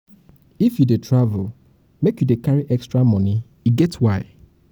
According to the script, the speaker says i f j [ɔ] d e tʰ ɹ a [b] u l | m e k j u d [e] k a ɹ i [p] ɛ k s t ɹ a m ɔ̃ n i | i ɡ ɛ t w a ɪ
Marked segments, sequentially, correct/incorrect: incorrect: u, incorrect: v, correct, incorrect: ʔ

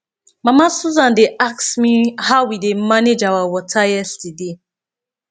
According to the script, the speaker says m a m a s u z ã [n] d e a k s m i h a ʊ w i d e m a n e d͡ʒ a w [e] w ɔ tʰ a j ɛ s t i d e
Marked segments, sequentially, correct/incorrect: correct, incorrect: a

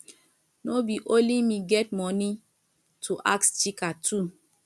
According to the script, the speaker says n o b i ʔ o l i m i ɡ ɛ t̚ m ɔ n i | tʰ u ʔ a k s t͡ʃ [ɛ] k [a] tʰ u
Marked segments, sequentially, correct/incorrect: incorrect: i, correct

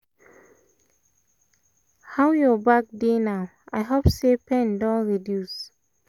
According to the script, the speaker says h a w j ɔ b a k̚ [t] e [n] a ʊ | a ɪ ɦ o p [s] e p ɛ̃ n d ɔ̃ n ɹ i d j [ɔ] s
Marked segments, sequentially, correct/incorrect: incorrect: d, correct, correct, incorrect: u

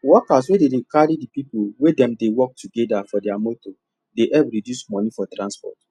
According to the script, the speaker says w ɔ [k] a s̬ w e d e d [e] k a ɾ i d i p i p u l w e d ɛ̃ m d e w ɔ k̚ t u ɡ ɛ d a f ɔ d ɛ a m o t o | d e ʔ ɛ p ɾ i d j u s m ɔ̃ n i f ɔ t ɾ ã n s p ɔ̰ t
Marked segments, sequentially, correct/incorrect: correct, correct

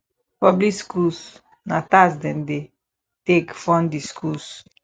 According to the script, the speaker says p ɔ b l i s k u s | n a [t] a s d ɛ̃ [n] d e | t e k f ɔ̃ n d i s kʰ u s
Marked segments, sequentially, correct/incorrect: correct, correct

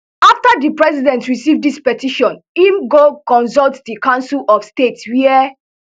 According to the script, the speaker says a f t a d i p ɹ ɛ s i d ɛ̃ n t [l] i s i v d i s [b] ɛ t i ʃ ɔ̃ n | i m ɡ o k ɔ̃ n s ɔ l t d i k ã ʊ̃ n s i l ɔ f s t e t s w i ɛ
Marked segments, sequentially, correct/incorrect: incorrect: ɹ, incorrect: p

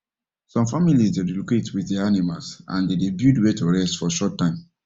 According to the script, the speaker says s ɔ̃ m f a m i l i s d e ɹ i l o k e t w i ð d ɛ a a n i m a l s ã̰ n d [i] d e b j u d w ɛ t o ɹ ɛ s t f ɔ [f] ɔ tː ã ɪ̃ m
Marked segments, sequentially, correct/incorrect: incorrect: e, incorrect: ʃ

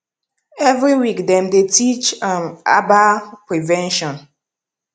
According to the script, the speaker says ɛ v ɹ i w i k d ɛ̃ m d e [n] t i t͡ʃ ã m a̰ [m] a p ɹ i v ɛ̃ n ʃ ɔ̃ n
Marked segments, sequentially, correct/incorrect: incorrect: none, incorrect: b

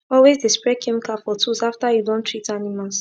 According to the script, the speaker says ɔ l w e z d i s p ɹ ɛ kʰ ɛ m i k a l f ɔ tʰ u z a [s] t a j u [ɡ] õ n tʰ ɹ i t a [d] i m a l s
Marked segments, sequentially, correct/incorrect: incorrect: f, incorrect: d, incorrect: n

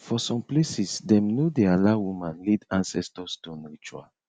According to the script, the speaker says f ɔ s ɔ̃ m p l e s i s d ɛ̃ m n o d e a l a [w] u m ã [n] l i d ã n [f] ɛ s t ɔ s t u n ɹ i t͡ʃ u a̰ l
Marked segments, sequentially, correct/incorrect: correct, correct, incorrect: s

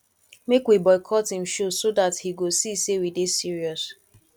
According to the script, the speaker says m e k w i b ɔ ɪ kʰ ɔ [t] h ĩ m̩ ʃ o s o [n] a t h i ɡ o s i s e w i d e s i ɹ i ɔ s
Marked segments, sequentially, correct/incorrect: correct, incorrect: d

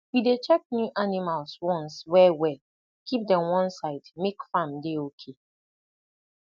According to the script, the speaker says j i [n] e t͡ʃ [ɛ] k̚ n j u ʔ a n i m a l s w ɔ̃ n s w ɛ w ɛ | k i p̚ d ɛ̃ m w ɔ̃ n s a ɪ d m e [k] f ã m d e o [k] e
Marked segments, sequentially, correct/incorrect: incorrect: d, correct, correct, incorrect: kʰ

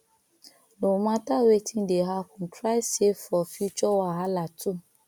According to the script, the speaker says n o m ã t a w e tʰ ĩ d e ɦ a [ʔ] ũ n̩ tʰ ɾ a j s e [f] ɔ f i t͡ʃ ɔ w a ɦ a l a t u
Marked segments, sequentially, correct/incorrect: incorrect: k, correct

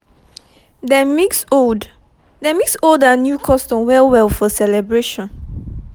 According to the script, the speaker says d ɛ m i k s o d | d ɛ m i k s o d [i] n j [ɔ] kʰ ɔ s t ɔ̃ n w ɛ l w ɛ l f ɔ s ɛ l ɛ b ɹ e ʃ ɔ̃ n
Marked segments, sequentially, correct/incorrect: incorrect: a, incorrect: u

